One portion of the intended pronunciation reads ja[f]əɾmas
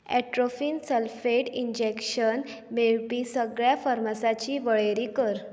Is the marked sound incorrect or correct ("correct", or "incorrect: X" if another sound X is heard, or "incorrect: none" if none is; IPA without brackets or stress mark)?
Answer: correct